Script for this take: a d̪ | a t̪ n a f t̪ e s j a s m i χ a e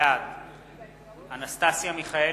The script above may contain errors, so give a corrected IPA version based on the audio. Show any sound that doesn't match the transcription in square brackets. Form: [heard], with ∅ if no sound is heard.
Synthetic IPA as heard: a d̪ | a [∅] n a [s] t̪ [a] s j a [∅] m i χ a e